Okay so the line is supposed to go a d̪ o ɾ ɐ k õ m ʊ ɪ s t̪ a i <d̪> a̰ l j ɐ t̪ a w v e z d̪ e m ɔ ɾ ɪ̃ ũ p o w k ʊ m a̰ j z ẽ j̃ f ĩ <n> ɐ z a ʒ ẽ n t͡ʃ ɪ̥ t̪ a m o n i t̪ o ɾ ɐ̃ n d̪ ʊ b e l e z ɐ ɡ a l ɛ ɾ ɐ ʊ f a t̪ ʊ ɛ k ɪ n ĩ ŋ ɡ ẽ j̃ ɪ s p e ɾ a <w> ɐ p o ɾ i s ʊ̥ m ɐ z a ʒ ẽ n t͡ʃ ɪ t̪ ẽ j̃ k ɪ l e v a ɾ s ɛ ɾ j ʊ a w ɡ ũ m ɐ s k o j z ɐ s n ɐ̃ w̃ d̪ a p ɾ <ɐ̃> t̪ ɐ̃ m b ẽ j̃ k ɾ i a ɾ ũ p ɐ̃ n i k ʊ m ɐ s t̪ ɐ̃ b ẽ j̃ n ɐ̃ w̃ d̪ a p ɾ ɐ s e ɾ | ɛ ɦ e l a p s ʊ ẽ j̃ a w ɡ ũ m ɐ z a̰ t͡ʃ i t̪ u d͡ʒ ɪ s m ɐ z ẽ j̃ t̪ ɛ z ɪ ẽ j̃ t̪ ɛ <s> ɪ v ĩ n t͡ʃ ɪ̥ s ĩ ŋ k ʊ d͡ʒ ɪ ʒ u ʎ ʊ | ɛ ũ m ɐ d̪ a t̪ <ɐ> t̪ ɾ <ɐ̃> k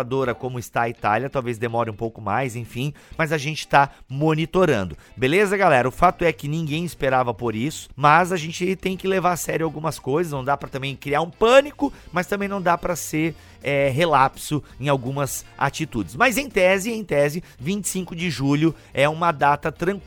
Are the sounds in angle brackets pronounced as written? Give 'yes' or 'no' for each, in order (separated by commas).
no, no, no, no, no, yes, yes